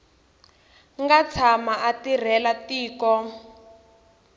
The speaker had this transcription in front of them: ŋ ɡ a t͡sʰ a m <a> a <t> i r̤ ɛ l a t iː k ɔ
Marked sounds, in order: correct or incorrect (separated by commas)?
correct, correct